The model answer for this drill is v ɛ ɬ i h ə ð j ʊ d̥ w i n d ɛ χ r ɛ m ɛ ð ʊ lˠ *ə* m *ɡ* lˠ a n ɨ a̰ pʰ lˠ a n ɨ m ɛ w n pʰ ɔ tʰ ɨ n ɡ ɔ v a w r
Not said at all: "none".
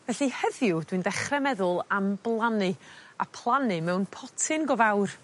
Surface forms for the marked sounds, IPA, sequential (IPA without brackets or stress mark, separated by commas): a, b